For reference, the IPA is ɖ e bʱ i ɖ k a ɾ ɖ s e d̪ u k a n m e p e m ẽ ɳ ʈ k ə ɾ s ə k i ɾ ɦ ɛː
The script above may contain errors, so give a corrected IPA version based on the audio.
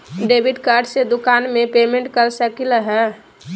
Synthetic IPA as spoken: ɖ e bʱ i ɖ k a ɾ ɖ s e d̪ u k a n m e p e m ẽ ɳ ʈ k ə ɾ s ə k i l ɦ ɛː